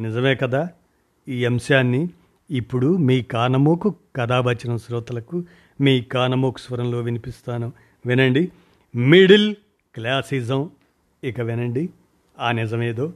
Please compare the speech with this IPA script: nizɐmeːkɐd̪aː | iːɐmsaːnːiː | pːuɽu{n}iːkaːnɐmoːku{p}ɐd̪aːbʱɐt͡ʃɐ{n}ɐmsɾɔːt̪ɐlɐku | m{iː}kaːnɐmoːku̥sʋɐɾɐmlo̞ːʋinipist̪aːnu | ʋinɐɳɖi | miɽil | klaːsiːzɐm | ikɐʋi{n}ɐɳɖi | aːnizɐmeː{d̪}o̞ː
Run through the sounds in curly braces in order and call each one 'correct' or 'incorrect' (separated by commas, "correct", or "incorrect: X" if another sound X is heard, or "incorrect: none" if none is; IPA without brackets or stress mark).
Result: incorrect: m, incorrect: k, correct, correct, correct, correct